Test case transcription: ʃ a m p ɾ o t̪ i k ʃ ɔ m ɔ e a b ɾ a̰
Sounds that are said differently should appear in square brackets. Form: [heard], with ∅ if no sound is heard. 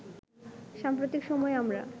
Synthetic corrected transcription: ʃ a m p ɾ o t̪ i k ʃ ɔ m ɔ e a [m] ɾ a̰